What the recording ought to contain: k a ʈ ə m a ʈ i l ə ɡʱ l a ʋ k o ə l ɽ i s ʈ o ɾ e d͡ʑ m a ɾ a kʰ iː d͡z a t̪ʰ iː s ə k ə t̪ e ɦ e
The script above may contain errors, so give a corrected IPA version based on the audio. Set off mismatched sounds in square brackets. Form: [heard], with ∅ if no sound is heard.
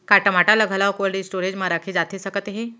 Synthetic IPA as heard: k a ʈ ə m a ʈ [a] l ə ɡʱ l a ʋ k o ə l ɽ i s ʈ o ɾ e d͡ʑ m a ɾ a kʰ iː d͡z a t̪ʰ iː s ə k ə t̪ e ɦ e

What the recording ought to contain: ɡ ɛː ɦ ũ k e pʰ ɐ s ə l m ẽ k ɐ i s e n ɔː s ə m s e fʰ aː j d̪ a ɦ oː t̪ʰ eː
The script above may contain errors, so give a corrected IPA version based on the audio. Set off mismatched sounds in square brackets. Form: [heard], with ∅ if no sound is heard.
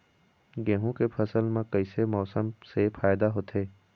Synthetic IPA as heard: ɡ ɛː ɦ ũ k e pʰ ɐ s ə l m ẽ k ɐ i s e [m] ɔː s ə m s e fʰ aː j d̪ a ɦ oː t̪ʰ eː

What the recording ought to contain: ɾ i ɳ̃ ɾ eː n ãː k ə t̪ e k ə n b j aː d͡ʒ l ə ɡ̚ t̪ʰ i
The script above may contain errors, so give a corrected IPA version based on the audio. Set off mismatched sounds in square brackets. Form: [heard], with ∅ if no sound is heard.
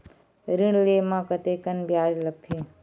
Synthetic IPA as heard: ɾ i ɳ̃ [l] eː [m] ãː k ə t̪ e k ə n b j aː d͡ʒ l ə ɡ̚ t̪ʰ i

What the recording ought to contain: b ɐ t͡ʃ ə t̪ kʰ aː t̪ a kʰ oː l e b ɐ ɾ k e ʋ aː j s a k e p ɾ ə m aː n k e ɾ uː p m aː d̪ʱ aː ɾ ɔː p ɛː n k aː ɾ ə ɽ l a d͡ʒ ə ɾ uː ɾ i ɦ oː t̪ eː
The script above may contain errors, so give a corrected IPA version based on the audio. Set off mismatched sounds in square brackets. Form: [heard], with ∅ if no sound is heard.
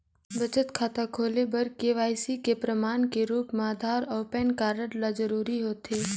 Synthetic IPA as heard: b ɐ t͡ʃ ə t̪ kʰ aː t̪ a kʰ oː l e b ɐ ɾ k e ʋ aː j s [i] k e p ɾ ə m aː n k e ɾ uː p m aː d̪ʱ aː ɾ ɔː p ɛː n k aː ɾ ə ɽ l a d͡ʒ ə ɾ uː ɾ i ɦ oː t̪ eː

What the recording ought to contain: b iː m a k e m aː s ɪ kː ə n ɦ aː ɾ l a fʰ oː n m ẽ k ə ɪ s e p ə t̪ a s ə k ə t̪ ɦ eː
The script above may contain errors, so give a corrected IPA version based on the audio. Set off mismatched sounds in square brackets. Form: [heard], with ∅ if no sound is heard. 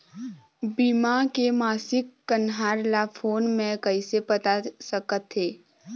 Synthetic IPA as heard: b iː m a k e m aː s ɪ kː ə n ɦ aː ɾ l a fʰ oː n m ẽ k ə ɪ s e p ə t̪ a s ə k ə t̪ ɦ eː

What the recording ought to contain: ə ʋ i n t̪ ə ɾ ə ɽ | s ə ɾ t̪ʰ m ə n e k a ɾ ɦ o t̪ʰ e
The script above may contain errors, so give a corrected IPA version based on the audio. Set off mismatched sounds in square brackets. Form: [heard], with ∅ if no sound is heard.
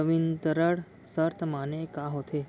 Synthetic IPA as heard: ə ʋ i n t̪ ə ɾ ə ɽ | s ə ɾ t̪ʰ m [a] n e k a [∅] ɦ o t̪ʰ e

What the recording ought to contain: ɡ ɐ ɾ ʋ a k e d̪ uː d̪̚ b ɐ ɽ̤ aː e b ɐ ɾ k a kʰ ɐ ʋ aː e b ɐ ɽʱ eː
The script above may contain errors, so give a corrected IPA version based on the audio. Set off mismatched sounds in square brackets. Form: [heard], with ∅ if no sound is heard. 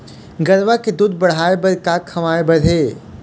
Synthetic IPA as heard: ɡ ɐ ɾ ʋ a k e d̪ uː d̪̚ b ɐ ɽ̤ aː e b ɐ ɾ k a kʰ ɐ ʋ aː e b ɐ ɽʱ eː

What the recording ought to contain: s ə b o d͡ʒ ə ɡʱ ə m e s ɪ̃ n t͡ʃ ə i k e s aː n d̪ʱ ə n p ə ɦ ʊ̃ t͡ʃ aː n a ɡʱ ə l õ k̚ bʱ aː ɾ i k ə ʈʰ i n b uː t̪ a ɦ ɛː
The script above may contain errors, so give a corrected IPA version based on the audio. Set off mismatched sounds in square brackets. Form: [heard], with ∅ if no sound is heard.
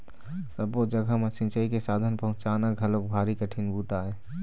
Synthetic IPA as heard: s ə b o d͡ʒ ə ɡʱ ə m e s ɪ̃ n t͡ʃ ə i k e s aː [∅] d̪ʱ ə n p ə ɦ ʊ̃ t͡ʃ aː n a ɡʱ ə l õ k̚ bʱ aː ɾ i k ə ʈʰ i n b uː t̪ a ɦ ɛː

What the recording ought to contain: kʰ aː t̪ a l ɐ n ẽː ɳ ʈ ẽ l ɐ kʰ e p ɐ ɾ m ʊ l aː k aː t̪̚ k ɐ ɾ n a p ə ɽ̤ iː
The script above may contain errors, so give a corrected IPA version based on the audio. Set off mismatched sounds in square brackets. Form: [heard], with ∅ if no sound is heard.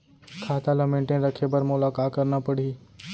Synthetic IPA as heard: kʰ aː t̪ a l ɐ [m] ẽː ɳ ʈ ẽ [ɾ] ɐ kʰ e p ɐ ɾ m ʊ l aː k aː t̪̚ k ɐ ɾ n a p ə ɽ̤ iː

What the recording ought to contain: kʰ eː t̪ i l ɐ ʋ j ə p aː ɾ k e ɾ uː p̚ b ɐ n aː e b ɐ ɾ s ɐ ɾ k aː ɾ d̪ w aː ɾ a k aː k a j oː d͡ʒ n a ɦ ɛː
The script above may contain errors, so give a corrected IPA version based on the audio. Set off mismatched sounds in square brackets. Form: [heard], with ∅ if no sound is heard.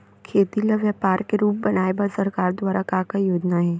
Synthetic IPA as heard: kʰ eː t̪ i l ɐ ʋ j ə p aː ɾ k e ɾ uː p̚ b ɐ n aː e b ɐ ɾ s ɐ ɾ k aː ɾ d̪ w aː ɾ a k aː k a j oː d͡ʒ n a ɦ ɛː

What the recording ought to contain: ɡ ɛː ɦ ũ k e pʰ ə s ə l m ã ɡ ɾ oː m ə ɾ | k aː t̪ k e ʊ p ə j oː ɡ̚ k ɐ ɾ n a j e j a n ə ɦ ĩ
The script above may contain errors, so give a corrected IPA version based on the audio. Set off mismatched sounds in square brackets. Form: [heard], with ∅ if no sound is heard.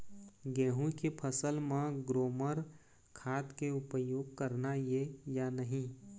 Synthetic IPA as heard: ɡ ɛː ɦ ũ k e pʰ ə s ə l m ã ɡ ɾ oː m ə ɾ | [kʰ] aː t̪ k e ʊ p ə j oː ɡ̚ k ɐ ɾ n a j e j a n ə ɦ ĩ

